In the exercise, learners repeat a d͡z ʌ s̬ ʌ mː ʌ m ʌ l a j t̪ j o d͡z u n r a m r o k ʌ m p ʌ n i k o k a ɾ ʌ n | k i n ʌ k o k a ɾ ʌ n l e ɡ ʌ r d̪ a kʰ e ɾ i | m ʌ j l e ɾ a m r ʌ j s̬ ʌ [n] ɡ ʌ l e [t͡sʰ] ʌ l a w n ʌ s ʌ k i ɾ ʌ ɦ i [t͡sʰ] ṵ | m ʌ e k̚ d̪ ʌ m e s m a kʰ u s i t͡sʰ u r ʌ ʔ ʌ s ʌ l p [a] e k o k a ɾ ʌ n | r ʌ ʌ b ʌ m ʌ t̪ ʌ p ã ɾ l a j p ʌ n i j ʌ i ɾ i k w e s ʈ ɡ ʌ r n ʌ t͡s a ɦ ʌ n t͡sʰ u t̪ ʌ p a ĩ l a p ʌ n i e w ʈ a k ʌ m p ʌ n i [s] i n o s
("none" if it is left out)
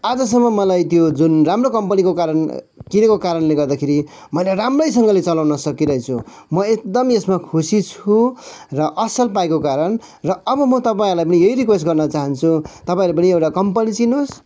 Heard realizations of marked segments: ŋ, t͡s, t͡sʰ, a, t͡s

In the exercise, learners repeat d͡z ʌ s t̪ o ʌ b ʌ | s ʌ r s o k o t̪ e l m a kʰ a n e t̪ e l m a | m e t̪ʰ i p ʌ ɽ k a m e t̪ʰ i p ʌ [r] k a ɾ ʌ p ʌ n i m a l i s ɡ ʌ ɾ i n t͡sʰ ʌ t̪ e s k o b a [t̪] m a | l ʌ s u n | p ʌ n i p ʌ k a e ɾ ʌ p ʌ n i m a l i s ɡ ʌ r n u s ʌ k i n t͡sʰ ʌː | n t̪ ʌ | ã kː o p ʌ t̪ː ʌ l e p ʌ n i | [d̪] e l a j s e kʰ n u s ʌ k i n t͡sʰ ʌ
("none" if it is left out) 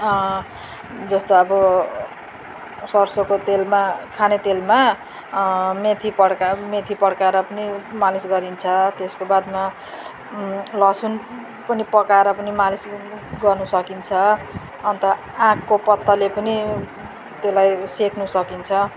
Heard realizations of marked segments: ɽ, d̪, t̪

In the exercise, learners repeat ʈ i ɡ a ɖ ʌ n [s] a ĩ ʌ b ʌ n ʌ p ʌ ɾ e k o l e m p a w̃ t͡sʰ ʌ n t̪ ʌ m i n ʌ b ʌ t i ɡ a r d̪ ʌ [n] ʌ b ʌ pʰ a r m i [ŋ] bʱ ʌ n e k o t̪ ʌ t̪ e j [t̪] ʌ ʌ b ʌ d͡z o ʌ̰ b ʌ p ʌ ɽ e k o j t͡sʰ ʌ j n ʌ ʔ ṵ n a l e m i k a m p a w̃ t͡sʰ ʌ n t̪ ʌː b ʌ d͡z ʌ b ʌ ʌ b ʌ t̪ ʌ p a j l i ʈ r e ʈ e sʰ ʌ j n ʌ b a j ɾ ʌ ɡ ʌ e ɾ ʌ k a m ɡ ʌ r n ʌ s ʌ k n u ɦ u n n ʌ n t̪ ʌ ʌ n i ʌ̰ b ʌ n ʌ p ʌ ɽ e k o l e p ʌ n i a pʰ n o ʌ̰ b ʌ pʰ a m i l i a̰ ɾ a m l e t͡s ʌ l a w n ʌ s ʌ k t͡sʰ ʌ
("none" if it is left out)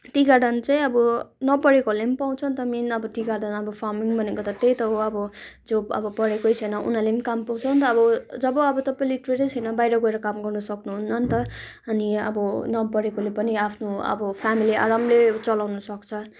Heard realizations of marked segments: t͡s, n, ŋ, t̪

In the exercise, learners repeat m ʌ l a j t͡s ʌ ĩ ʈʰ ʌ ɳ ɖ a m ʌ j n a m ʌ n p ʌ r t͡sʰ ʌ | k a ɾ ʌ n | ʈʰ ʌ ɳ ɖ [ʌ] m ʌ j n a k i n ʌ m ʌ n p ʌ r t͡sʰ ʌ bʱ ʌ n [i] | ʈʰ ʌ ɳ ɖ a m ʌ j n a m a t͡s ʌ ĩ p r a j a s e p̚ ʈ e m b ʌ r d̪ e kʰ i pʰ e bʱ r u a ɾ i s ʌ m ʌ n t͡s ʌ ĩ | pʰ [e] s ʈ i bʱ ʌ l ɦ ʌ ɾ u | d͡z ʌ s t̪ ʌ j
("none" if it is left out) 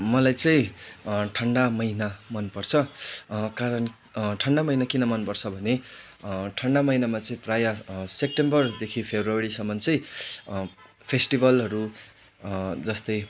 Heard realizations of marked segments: a, e, e

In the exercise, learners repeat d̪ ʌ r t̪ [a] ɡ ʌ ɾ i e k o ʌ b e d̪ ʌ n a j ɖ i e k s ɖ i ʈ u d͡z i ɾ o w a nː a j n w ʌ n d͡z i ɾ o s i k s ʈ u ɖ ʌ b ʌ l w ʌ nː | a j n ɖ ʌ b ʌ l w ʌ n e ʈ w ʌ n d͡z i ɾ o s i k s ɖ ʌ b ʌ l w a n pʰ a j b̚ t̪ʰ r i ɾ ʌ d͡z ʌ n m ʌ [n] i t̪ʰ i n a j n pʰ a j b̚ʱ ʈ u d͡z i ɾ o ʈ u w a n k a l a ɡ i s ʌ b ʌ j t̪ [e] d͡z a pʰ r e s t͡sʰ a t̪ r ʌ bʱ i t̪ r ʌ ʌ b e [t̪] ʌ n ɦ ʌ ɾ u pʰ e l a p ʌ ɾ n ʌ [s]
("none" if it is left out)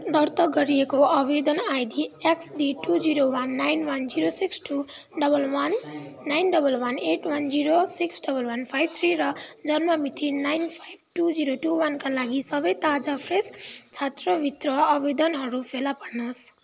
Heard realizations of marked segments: ʌ, m, a, d̪, s

